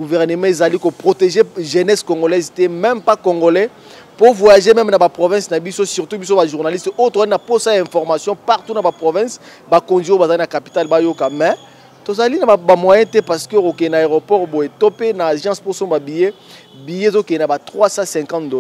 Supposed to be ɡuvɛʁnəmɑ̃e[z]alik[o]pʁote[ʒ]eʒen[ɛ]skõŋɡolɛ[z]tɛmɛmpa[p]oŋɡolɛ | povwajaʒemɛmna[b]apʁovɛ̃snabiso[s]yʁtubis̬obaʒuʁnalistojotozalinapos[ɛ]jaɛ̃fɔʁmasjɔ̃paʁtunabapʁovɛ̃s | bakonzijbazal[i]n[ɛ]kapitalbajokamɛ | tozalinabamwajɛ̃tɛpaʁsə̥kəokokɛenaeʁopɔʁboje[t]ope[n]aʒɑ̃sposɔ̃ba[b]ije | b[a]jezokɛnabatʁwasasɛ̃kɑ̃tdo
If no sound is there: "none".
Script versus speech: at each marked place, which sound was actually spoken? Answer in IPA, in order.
z, o, ʒ, ɛ, z, k, b, s, a, i, a, t, n, b, i

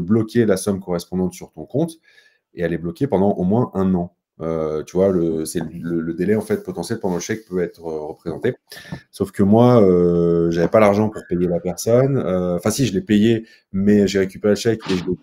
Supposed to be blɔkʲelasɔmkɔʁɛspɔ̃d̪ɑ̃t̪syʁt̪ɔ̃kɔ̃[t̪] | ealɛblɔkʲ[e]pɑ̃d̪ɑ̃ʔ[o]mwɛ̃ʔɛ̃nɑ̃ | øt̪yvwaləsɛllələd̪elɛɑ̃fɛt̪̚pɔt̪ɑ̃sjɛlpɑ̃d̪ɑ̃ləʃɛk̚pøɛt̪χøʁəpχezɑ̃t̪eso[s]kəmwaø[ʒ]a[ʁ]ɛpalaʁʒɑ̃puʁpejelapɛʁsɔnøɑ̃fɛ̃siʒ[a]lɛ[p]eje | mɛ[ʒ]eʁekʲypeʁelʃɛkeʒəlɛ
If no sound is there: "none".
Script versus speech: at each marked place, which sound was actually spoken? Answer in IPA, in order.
t̪, e, o, f, ʒ, v, ə, p, ʒ

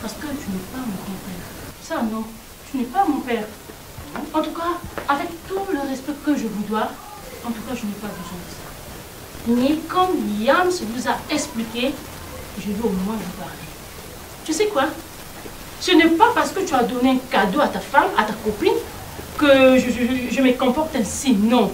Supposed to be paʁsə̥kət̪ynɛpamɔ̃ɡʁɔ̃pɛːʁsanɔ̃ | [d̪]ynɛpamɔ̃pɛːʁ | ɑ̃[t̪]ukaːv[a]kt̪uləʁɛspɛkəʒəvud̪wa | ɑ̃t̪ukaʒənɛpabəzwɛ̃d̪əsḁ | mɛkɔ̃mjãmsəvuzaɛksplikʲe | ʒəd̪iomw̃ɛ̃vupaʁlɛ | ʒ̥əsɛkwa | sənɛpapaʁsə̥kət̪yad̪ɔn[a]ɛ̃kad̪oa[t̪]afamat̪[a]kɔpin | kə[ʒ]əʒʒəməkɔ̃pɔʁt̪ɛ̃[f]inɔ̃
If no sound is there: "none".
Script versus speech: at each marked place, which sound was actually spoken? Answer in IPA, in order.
t̪, t̪, ɛ, e, t̪, a, ʒ, s

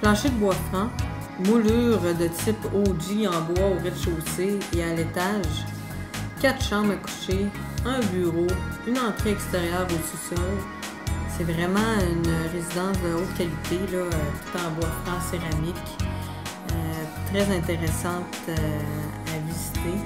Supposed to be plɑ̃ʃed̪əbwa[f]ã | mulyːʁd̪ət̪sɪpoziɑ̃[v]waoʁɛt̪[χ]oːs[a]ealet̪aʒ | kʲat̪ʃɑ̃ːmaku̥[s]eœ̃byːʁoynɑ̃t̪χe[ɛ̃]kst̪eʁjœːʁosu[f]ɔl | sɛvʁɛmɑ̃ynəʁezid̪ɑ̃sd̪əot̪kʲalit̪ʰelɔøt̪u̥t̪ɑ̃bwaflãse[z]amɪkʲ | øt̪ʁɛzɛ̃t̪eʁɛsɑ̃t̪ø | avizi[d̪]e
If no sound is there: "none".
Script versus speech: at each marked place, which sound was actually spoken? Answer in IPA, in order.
f, b, ʃ, e, ʃ, ɛ, s, ʁ, t̪

